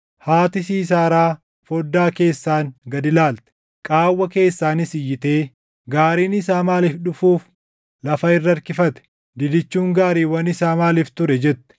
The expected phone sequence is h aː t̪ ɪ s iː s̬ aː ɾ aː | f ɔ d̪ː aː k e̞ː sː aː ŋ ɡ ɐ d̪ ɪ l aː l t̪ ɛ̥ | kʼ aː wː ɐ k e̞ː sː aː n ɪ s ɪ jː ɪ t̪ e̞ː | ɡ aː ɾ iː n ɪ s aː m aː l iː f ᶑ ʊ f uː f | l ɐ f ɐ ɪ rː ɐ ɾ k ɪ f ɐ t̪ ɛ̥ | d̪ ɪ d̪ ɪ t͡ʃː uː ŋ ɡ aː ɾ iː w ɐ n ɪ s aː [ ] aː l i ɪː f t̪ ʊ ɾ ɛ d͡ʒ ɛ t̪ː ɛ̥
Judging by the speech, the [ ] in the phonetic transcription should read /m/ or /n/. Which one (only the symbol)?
m